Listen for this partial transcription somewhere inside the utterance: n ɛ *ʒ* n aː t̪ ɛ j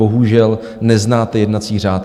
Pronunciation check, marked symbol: incorrect: z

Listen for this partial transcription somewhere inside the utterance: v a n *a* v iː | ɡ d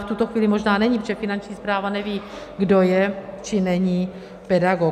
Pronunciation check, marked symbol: incorrect: ɛ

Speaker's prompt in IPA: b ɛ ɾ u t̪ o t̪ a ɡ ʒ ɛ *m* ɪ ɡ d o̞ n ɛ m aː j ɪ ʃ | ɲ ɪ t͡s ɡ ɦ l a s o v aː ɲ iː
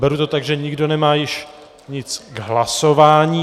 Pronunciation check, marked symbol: incorrect: ɲ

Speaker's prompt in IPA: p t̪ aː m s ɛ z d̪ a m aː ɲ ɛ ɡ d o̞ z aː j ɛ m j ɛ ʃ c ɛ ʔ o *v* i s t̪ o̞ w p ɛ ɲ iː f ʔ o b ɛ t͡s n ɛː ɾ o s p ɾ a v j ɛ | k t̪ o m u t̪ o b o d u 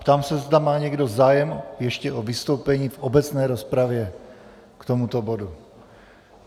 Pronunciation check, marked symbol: correct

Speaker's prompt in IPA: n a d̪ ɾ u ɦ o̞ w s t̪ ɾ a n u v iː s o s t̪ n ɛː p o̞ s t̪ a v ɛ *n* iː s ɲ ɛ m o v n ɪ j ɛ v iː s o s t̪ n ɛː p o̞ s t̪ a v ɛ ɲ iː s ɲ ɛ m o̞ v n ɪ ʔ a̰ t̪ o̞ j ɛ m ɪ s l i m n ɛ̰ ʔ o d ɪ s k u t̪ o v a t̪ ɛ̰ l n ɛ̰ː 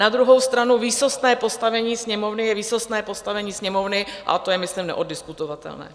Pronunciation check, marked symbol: incorrect: ɲ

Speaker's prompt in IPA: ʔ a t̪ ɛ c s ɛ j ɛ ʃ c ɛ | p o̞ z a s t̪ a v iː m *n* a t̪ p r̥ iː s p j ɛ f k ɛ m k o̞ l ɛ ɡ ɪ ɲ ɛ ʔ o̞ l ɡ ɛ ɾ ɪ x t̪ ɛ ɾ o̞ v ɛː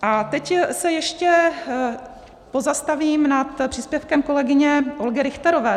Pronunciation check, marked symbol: correct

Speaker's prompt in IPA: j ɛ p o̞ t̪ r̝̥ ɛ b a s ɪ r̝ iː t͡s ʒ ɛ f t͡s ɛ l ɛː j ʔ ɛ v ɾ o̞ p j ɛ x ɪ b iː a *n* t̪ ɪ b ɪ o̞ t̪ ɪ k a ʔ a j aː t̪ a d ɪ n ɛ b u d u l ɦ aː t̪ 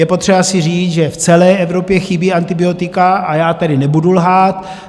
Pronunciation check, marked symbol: correct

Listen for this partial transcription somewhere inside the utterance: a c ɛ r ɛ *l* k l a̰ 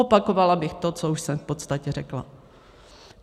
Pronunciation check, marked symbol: incorrect: none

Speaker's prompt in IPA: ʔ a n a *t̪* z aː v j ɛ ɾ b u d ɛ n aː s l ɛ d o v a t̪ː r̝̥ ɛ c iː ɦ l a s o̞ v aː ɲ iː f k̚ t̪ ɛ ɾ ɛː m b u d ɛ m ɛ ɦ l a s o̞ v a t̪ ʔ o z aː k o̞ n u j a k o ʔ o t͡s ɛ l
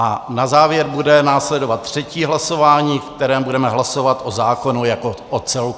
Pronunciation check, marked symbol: incorrect: none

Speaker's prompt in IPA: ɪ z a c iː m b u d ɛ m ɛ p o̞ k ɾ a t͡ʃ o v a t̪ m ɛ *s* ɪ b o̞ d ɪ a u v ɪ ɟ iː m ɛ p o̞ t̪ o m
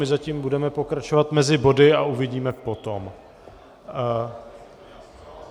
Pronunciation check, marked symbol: incorrect: z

